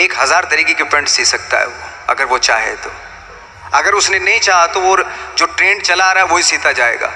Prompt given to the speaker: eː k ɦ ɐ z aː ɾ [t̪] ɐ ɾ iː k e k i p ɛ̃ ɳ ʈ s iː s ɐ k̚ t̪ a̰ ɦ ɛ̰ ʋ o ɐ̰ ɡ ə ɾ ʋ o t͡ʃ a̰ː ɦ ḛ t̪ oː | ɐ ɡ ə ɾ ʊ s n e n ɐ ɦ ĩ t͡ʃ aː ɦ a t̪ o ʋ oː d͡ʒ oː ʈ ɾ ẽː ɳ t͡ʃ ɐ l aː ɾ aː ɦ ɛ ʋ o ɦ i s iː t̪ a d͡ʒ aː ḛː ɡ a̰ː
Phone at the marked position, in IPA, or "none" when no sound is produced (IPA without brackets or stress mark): t̪